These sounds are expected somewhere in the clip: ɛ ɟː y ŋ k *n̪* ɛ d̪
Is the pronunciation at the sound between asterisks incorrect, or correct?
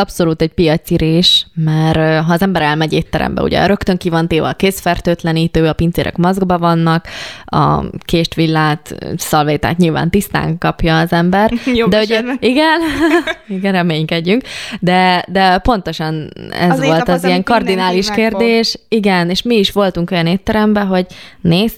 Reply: incorrect